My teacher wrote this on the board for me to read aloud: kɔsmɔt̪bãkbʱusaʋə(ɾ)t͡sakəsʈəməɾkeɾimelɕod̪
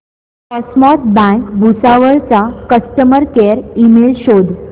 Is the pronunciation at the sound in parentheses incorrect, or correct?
incorrect